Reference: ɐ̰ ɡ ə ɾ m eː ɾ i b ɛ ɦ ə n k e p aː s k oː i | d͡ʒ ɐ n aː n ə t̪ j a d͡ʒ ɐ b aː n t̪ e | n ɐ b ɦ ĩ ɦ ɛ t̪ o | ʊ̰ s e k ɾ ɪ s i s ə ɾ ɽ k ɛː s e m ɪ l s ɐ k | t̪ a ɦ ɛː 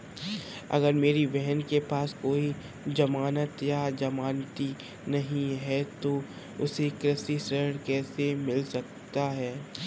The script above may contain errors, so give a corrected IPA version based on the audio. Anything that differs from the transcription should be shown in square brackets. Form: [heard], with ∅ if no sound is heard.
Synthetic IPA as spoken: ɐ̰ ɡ ə ɾ m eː ɾ i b ɛ ɦ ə n k e p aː s k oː i | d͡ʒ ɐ [m] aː n ə t̪ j a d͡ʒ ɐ [m] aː n t̪ [i] | n ɐ [∅] ɦ ĩ ɦ ɛ t̪ o | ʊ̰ s e k ɾ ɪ s i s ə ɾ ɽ k ɛː s e m ɪ l s ɐ k | t̪ a ɦ ɛː